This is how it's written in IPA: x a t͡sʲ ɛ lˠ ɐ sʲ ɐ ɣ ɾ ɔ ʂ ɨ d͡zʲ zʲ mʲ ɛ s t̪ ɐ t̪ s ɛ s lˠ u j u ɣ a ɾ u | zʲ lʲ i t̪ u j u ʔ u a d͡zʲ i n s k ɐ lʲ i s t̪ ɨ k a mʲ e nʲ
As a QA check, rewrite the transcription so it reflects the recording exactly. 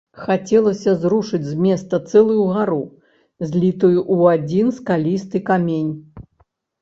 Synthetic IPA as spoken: x a t͡sʲ ɛ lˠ ɐ sʲ ɐ z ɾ u ʂ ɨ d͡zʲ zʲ mʲ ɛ s t̪ ɐ t̪ s ɛ lˠ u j u ɣ a ɾ u | zʲ lʲ i t̪ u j u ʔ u a d͡zʲ i n s k a lʲ i s t̪ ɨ k a mʲ e nʲ

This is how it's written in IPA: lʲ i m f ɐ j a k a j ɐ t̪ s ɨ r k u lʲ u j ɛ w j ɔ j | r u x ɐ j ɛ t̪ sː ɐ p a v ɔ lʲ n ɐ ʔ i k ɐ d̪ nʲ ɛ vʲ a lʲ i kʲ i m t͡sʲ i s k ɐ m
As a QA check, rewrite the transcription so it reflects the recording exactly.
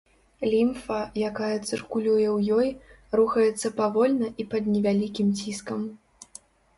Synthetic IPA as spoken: lʲ i m f ɐ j a k a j ɐ t̪ s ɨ r k u lʲ u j ɛ w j ɔ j | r u x ɐ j ɛ t̪ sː ɐ p a v ɔ lʲ n ɐ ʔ i p ɐ d̪ nʲ ɛ vʲ a lʲ i kʲ i m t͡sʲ i s k ɐ m

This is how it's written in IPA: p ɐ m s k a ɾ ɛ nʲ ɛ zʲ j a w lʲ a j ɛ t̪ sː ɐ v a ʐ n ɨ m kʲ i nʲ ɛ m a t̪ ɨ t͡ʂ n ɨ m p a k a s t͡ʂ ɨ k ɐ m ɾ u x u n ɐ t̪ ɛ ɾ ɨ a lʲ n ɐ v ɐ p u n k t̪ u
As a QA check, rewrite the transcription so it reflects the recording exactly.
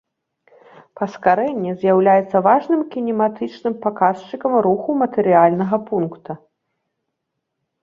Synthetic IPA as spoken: p ɐ s k a ɾ ɛ nʲː ɛ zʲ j a w lʲ a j ɛ t̪ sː ɐ v a ʐ n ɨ m kʲ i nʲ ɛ m a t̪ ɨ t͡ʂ n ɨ m p a k a s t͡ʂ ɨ k ɐ m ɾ u x u m ɐ t̪ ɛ ɾ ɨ a lʲ n ɐ ɣ ɐ p u n k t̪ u

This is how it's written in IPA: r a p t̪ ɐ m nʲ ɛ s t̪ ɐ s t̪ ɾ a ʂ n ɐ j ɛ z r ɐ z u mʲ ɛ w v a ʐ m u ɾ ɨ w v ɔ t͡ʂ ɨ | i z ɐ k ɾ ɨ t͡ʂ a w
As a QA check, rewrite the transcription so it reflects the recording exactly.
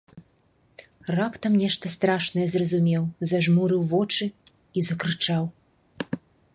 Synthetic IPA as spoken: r a p t̪ ɐ m nʲ ɛ ʂ t̪ ɐ s t̪ ɾ a ʂ n ɐ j ɛ z r ɐ z u mʲ ɛ w z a ʐ m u ɾ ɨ w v ɔ t͡ʂ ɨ | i z ɐ k ɾ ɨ t͡ʂ a w

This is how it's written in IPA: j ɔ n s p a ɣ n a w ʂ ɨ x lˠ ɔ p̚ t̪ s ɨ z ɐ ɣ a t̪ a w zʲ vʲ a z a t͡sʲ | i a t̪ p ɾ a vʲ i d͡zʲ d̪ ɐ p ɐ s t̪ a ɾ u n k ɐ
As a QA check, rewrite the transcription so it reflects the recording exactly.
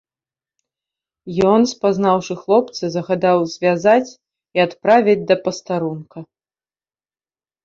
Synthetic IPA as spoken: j ɔ n s p a z n a w ʂ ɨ x lˠ ɔ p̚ t̪ s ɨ z ɐ ɣ a d̪ a w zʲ vʲ a z a t͡sʲ | i a t̪ p ɾ a vʲ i d͡zʲ d̪ ɐ p ɐ s t̪ a ɾ u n k ɐ

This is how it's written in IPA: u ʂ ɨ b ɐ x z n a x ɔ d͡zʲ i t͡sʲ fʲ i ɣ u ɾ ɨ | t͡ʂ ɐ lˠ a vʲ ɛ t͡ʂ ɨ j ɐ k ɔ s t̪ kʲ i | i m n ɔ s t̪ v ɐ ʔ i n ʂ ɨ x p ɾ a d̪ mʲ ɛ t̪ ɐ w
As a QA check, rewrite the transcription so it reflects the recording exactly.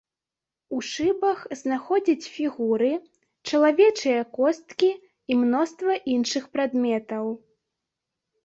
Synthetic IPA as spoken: u ʂ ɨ b ɐ x z n a x ɔ d͡zʲ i t͡sʲ fʲ i ɣ u ɾ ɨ | t͡ʂ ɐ lˠ a vʲ ɛ t͡ʂ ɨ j ɐ k ɔ s t̪ kʲ i | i m n ɔ s t̪ v ɐ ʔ i n ʂ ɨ x p ɾ a d̪ mʲ ɛ t̪ ɐ w

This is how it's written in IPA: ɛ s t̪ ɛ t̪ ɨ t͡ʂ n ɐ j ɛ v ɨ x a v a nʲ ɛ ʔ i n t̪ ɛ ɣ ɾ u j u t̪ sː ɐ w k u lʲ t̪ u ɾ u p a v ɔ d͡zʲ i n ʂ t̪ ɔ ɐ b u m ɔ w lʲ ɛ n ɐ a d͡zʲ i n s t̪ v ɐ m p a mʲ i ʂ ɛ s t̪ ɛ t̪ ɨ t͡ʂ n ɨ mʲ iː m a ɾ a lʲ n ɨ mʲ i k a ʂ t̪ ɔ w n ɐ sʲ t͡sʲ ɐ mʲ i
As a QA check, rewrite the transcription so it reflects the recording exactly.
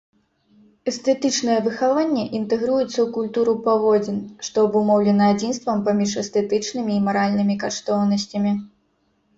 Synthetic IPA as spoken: ɛ s t̪ ɛ t̪ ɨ t͡ʂ n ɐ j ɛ v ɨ x a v a nʲː ɛ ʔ i n t̪ ɛ ɣ ɾ u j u t̪ sː ɐ w k u lʲ t̪ u ɾ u p a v ɔ d͡zʲ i n ʂ t̪ ɔ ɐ b u m ɔ w lʲ ɛ n ɐ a d͡zʲ i n s t̪ v ɐ m p a mʲ i ʂ ɛ s t̪ ɛ t̪ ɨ t͡ʂ n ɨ mʲ iː m a ɾ a lʲ n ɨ mʲ i k a ʂ t̪ ɔ w n ɐ sʲ t͡sʲ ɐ mʲ i

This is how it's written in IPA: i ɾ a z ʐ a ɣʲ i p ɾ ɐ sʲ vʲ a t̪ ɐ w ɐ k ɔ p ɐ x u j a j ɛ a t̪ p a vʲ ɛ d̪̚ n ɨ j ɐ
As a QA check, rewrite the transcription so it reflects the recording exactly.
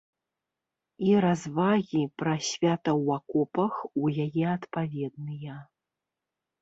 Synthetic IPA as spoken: i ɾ a z v a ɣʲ i p ɾ ɐ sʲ vʲ a t̪ ɐ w a k ɔ p ɐ x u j a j ɛ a t̪ p a vʲ ɛ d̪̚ n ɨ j ɐ

